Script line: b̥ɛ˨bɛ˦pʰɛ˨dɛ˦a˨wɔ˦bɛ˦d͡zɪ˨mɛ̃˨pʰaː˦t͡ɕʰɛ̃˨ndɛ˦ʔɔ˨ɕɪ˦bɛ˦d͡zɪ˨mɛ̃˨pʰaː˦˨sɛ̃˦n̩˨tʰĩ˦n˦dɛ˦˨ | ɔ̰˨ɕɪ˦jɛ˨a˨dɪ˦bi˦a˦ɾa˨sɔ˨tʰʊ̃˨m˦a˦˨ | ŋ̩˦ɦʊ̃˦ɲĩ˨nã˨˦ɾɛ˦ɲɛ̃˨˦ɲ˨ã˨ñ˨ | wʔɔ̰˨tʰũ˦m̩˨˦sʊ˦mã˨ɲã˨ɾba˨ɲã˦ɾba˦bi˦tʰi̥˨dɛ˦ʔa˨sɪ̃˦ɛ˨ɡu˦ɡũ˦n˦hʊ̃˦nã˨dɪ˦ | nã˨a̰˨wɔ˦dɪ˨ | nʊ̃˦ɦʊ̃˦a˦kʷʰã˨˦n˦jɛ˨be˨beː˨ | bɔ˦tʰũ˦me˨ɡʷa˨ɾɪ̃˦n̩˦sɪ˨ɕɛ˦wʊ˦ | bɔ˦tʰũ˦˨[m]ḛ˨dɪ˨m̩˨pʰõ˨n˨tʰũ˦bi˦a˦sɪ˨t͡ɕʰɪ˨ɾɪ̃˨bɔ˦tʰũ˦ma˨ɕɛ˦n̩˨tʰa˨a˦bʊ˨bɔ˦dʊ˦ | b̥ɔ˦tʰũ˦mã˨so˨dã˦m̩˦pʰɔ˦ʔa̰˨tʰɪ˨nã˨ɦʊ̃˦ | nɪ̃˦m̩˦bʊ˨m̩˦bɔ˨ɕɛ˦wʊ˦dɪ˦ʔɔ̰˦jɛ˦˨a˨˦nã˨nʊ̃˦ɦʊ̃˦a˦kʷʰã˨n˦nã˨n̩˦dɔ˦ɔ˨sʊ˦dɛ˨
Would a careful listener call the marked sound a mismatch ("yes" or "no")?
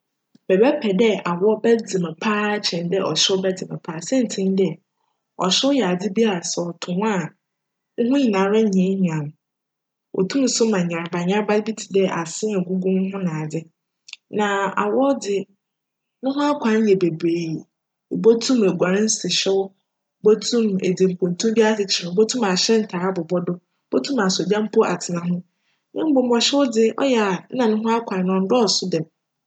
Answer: no